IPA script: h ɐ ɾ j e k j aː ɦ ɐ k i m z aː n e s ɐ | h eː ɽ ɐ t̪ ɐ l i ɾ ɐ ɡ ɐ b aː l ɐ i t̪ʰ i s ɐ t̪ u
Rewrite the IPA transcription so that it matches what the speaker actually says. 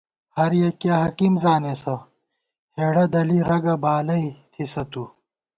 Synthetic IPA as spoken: h ɐ ɾ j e k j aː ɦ ɐ k i m z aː n e s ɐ | h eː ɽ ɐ d̪ ɐ l i ɾ ɐ ɡ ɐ b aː l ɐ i t̪ʰ i s ɐ t̪ u